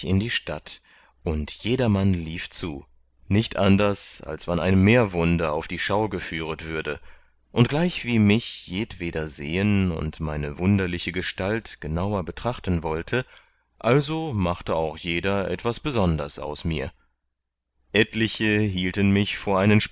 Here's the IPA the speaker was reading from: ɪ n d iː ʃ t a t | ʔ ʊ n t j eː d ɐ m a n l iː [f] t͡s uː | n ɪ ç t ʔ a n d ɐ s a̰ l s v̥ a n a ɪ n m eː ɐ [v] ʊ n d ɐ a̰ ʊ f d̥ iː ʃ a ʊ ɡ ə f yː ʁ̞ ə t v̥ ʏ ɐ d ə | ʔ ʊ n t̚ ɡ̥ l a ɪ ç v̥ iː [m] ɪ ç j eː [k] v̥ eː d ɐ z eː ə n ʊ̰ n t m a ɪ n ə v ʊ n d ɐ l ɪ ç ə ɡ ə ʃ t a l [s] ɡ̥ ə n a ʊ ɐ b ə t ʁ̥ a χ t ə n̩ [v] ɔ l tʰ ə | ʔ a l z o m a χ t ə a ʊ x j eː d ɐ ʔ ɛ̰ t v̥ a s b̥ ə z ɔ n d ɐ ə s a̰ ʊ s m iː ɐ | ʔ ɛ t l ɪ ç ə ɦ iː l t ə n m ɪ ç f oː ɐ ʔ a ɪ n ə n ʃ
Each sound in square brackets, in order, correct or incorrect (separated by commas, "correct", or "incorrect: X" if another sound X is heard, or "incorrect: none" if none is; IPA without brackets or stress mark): correct, correct, correct, incorrect: t, incorrect: t, correct